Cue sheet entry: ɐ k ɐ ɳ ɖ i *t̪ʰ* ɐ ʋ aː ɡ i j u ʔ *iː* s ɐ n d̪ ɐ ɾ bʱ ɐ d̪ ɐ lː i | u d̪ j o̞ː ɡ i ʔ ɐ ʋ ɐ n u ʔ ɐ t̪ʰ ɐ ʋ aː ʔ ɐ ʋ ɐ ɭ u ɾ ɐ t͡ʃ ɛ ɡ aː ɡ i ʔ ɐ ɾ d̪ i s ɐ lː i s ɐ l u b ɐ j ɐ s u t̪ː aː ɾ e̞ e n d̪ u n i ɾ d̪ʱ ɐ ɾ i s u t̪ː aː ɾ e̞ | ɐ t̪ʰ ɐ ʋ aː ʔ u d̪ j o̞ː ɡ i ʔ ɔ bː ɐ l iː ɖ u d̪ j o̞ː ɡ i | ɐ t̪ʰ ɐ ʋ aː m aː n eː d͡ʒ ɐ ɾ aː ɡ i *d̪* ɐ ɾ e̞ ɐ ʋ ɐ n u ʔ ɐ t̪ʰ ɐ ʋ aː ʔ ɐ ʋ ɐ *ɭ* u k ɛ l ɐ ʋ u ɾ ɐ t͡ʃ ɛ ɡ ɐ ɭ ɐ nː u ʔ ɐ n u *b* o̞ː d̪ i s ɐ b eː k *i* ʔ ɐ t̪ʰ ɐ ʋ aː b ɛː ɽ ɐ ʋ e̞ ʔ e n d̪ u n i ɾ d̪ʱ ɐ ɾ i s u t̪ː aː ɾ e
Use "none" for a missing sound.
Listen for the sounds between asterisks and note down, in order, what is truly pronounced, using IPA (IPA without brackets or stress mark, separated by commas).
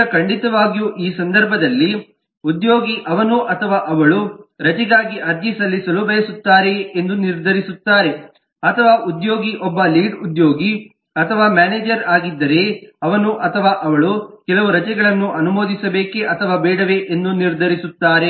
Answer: t̪, iː, d̪ː, ɭ, m, e